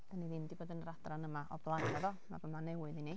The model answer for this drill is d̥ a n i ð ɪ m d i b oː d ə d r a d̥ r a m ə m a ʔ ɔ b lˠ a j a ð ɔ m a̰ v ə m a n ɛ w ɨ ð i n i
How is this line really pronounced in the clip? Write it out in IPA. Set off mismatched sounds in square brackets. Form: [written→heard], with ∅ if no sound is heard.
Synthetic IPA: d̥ a n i ð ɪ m d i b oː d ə [d→n] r a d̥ r a [m→n] ə m a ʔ ɔ b lˠ a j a ð ɔ m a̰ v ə m a n ɛ w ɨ ð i n i